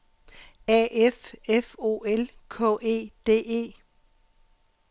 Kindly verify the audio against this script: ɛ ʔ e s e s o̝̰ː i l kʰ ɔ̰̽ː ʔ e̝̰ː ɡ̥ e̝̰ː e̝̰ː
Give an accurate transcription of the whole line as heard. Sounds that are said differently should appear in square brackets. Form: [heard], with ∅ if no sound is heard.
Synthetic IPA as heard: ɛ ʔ e [f] e [f] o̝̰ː [e] l kʰ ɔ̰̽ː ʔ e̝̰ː [d̥] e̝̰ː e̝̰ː

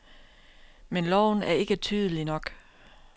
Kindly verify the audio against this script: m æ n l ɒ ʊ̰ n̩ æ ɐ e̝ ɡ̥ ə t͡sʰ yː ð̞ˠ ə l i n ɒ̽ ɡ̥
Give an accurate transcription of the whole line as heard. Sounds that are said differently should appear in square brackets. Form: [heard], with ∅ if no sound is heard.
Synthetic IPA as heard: m [e] n l ɒ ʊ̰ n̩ æ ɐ e̝ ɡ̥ ə t͡sʰ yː ð̞ˠ ə l i n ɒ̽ ɡ̥

